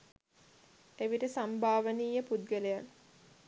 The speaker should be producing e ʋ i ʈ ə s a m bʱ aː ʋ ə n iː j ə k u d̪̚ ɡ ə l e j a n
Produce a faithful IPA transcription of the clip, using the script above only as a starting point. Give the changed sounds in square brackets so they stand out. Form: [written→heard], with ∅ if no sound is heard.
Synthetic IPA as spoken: e ʋ i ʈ ə s a m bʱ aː ʋ ə n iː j ə [k→p] u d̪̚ ɡ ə l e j a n